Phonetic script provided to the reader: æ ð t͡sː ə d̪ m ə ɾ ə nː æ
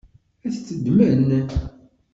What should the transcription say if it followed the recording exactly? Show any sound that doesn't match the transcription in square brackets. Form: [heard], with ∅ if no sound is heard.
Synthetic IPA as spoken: æ [θ] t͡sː ə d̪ m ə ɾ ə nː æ